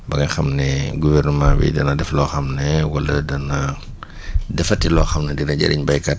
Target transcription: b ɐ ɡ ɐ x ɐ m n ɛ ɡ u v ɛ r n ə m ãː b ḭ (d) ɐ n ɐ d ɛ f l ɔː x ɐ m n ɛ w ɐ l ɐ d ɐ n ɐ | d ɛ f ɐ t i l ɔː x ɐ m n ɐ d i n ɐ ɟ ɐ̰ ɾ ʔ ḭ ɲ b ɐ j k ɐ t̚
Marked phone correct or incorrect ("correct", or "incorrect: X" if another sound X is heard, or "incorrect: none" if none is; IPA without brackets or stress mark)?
correct